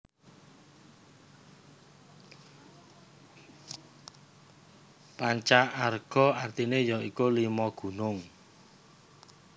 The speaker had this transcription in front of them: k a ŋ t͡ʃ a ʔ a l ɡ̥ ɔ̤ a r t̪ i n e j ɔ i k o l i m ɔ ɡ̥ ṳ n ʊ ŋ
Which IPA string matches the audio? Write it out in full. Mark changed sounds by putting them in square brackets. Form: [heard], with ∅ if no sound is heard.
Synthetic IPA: [p] a [ɲ] t͡ʃ a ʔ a [r] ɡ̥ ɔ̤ a r t̪ i n e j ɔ i k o l i m ɔ ɡ̥ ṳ n ʊ ŋ

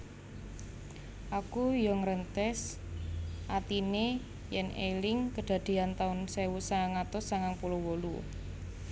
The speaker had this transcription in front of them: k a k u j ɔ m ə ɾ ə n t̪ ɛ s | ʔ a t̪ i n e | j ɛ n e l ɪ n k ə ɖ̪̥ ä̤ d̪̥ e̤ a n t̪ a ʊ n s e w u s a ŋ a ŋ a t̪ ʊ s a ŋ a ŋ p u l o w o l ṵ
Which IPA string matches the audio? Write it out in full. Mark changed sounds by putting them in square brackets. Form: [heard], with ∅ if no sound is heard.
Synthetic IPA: [ʔ] a k u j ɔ [ŋ] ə ɾ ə n t̪ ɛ s | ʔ a t̪ i n e | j ɛ n e l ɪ [ŋ] k ə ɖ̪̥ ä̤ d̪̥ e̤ a n t̪ a ʊ n s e w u s a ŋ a ŋ a t̪ ʊ s a ŋ a ŋ p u l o w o l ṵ

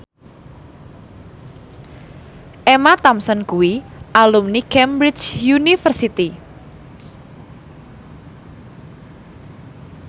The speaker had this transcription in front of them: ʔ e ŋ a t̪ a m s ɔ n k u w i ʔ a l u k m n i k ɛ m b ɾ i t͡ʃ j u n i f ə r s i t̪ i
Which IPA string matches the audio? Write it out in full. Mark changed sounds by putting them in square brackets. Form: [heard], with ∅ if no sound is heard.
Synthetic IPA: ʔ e [m] a t̪ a m s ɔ n k u w i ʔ a l u [∅] m n i k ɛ m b ɾ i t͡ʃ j u n i f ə r s i t̪ i

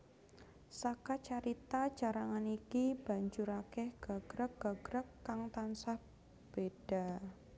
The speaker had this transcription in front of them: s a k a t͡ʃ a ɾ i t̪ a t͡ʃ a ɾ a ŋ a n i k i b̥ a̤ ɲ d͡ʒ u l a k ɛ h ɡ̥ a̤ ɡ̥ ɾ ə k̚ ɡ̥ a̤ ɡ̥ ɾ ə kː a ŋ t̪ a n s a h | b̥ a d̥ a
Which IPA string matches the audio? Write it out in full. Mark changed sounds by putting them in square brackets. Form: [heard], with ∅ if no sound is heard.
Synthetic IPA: s a k a t͡ʃ a ɾ i t̪ a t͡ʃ a ɾ a ŋ a n i k i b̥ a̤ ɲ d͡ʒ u [ɾ] a k ɛ h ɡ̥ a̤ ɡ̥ ɾ ə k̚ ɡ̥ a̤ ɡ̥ ɾ ə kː a ŋ t̪ a n s a h | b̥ [e] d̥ a

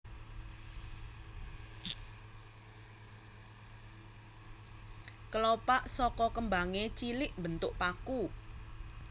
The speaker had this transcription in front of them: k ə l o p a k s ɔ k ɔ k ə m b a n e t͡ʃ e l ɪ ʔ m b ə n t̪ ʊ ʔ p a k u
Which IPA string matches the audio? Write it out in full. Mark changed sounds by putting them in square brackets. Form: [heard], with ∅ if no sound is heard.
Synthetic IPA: k ə l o p a [ʔ] s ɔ k ɔ k ə m b a [ŋ] e t͡ʃ [i] l ɪ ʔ m b ə n t̪ ʊ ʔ p a k u

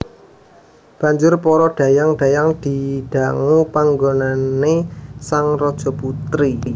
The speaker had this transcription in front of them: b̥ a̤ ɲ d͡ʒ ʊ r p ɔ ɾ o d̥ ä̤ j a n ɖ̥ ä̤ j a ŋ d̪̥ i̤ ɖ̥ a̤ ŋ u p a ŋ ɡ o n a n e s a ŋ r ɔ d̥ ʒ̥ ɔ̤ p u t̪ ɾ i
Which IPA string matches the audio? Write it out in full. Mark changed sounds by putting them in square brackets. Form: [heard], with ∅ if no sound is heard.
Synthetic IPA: b̥ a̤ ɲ d͡ʒ ʊ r p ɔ ɾ [ɔ] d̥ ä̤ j a [ŋ] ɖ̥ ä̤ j a ŋ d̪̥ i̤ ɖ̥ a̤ ŋ u p a ŋ ɡ o n a n e s a ŋ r ɔ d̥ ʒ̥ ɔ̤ p u t̪ ɾ i

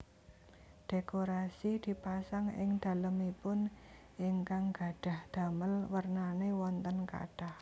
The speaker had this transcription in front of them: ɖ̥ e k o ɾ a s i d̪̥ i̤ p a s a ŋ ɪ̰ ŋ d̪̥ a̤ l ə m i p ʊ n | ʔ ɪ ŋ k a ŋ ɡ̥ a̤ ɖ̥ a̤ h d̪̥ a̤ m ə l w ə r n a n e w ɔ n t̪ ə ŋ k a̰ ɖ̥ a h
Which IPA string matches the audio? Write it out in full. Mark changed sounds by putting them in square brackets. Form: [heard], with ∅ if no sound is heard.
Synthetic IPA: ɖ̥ e k o ɾ a s i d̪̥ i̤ p a s a ŋ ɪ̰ ŋ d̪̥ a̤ l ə m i p ʊ n | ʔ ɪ ŋ k a ŋ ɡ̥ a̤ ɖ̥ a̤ h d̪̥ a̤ m ə l w ə r n a n e w ɔ n t̪ ə [n] k a̰ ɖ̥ a h

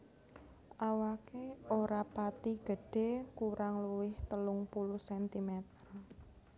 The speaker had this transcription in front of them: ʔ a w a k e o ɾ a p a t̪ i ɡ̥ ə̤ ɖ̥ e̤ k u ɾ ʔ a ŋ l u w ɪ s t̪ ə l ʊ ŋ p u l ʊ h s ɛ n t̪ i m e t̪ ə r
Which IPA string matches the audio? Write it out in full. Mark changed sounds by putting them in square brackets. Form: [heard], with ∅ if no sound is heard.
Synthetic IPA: ʔ a w a k e o ɾ a p a t̪ i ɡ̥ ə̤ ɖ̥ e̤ k u ɾ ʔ a ŋ l u w ɪ [h] t̪ ə l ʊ ŋ p u l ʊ h s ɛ n t̪ i m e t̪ ə r

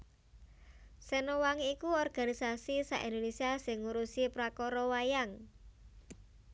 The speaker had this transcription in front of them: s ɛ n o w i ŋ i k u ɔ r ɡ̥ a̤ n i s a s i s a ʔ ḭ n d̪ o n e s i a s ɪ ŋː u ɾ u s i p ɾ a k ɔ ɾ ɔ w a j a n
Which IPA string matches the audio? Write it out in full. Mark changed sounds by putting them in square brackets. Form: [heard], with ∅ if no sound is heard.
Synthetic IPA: s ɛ n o w [a] ŋ i k u ɔ r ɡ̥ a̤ n i s a s i s a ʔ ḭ n d̪ o n e s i a s ɪ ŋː u ɾ u s i p ɾ a k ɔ ɾ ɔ w a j a [ŋ]

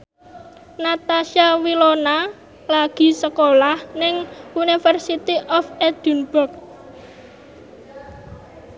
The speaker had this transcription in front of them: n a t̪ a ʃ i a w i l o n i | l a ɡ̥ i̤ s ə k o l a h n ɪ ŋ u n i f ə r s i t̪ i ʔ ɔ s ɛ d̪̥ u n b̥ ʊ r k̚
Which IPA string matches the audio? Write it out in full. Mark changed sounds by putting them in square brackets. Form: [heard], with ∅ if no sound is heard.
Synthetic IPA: n a t̪ a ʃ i a w i l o n [a] | l a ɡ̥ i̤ s ə k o l a h n ɪ ŋ u n i f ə r s i t̪ i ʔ ɔ [f] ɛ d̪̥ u n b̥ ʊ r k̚

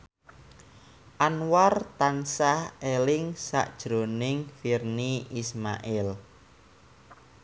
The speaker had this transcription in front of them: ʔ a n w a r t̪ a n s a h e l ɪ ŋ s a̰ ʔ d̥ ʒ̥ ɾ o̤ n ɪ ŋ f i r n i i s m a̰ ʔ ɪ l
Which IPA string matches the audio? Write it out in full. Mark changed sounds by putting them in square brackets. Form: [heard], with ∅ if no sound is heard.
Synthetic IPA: ʔ a n w a r t̪ a n s a h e l ɪ ŋ s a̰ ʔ d̥ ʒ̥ ɾ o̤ n ɪ ŋ f i r n i i s m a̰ ʔ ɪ l

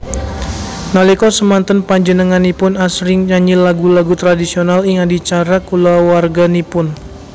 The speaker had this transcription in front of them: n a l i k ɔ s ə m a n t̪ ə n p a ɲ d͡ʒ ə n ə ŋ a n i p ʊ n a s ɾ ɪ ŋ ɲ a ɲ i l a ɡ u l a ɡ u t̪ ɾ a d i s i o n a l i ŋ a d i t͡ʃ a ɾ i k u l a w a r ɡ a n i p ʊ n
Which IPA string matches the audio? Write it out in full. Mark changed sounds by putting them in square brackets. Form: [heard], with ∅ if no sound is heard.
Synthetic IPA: n a l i k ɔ s ə m a n t̪ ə n p a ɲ d͡ʒ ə n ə ŋ a n i p ʊ n a s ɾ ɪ ŋ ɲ a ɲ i l a ɡ u l a ɡ u t̪ ɾ a d i s i o n a l i ŋ a d i t͡ʃ a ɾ [a] k u l a w a r ɡ a n i p ʊ n

